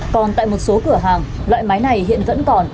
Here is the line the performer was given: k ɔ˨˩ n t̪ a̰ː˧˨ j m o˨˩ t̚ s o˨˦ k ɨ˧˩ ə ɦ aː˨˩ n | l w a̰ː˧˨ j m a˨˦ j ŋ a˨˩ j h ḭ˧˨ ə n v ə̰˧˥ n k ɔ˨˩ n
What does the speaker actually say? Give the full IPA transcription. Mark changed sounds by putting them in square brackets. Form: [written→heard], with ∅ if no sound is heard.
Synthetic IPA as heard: k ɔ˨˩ n t̪ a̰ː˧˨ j m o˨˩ t̚ s o˨˦ k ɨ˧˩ ə ɦ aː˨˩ [n→ŋ] | l w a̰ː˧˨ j m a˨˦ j [ŋ→n] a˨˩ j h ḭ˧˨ ə n v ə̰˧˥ n k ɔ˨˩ n